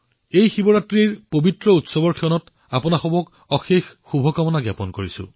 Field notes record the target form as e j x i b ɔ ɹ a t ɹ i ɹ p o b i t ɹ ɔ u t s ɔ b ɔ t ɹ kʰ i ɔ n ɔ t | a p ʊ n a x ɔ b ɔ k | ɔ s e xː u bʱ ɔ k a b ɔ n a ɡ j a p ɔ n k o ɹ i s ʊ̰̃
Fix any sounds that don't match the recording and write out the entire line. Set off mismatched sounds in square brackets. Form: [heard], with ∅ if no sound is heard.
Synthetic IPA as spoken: e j x i b ɔ ɹ a t ɹ i ɹ p o b i t ɹ ɔ u t s ɔ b ɔ [∅] ɹ kʰ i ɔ n ɔ t | a p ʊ n a x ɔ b ɔ k | ɔ [x] e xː u bʱ ɔ k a [m] ɔ n a ɡ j a p ɔ n k o ɹ i s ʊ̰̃